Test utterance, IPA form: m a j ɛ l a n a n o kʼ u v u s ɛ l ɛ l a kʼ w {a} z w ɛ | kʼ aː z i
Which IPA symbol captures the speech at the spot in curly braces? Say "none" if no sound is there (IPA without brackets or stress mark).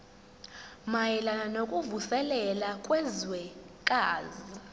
ɛ